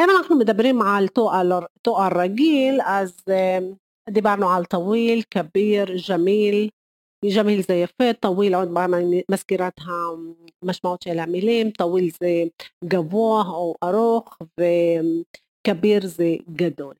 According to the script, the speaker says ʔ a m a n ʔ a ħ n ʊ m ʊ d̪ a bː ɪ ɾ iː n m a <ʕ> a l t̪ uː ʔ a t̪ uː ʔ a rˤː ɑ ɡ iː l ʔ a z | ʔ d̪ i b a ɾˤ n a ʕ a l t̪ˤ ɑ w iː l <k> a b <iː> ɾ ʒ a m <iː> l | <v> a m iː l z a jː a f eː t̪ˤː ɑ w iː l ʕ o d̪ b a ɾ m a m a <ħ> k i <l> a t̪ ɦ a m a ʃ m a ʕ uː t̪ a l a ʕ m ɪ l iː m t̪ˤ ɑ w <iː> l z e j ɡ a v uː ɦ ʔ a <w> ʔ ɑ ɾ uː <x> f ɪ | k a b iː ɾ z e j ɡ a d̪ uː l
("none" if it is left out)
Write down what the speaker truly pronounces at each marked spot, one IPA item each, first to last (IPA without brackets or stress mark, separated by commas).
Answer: ʕ, k, iː, iː, ʒ, s, ɾ, iː, w, x